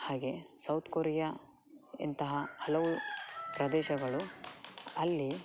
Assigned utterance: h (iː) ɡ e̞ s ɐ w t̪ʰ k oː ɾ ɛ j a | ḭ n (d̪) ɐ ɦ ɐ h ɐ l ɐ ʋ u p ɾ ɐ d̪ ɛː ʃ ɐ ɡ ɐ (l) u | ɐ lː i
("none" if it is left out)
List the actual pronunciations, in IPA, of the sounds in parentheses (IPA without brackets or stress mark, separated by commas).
aː, t̪, ɭ